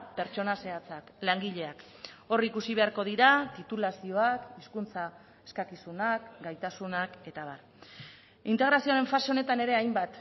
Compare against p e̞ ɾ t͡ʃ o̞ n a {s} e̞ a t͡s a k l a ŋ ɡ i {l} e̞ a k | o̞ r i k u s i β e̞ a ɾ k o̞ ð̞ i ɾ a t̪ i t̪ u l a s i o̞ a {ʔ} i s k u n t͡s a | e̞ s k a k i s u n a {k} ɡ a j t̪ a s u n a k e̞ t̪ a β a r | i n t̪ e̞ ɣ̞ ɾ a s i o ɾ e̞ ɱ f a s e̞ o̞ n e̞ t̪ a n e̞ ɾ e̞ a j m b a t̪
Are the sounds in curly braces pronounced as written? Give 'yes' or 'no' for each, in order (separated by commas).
yes, no, no, yes